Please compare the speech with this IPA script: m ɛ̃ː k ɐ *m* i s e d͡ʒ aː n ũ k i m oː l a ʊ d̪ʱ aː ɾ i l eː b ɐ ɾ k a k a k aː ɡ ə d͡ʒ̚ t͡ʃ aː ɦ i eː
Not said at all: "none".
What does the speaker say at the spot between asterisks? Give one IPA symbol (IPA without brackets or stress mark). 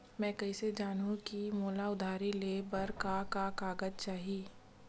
none